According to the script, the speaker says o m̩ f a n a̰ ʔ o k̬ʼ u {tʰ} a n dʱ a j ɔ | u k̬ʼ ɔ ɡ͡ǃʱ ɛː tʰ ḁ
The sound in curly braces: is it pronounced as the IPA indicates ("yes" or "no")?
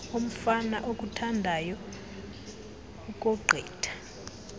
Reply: yes